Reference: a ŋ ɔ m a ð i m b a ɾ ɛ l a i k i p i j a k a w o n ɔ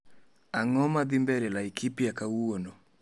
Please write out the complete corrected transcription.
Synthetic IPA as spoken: a ŋ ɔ m a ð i m b ɛ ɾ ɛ l a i k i p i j a k a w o n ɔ

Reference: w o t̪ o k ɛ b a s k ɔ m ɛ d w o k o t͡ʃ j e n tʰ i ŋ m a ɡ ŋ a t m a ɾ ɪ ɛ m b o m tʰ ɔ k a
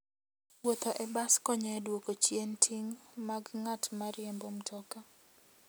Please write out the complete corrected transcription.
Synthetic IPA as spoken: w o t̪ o ʔ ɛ b a s k ɔ ɲ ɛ d w o k o t͡ʃ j e n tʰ i ŋ m a ɡ ŋ a t m a ɾ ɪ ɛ m b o m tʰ ɔ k a

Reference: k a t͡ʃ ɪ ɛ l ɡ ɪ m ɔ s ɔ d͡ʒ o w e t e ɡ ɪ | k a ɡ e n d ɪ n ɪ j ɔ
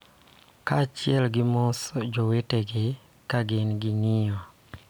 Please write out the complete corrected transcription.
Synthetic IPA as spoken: k a t͡ʃ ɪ ɛ l ɡ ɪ m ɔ s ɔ d͡ʒ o w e t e ɡ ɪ | k a ɡ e n ɡ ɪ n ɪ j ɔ

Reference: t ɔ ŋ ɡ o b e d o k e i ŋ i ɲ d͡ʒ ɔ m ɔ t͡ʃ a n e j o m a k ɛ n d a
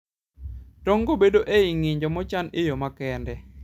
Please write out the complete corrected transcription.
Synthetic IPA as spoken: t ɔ ŋ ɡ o b e d o ʔ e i ŋ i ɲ d͡ʒ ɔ m ɔ t͡ʃ a n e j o m a k ɛ n d ɛ

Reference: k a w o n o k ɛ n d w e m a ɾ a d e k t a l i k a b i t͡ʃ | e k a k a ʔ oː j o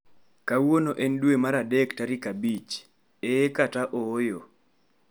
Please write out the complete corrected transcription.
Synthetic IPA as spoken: k a w o n o ʔ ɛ n d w e m a ɾ a d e k t a ɾ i k a b i t͡ʃ | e k a t a ʔ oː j o

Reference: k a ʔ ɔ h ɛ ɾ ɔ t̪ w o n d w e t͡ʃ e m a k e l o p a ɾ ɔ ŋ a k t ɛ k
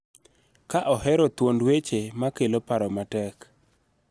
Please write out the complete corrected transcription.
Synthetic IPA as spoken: k a ʔ ɔ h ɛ ɾ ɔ t̪ w o n d w e t͡ʃ e m a k e l o p a ɾ ɔ m a t ɛ k

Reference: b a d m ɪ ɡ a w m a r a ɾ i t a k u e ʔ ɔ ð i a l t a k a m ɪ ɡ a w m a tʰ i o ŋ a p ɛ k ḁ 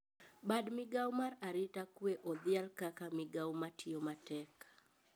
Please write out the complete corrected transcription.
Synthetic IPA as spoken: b a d m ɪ ɡ a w m a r a ɾ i t a k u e ʔ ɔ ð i a l k a k a m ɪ ɡ a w m a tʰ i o m a t ɛ k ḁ

